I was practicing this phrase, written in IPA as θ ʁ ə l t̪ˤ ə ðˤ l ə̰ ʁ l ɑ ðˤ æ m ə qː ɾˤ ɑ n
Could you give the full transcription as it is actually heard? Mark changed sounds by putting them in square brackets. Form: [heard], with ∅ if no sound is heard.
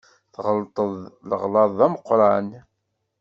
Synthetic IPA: θ ʁ ə l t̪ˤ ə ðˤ l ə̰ ʁ l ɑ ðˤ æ m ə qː ɾˤ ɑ n